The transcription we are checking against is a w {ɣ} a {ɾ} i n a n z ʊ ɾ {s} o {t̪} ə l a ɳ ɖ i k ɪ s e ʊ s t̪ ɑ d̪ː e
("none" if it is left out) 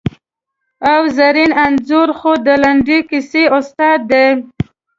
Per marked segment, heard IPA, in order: z, ɾ, x, d̪

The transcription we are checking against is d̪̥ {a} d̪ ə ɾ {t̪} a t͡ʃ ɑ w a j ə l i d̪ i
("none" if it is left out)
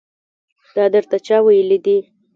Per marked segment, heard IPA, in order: ɑ, t̪

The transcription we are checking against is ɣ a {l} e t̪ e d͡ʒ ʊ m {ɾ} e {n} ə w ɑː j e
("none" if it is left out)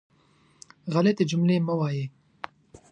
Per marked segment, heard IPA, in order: l, l, m

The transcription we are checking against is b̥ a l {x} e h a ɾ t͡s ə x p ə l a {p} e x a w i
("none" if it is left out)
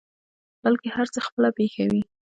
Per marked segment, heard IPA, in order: k, p

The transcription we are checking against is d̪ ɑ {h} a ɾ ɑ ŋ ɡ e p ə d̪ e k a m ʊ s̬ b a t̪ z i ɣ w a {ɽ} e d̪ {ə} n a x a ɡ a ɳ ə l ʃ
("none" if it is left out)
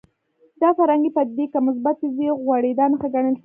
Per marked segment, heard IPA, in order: f, ɽ, ɑ

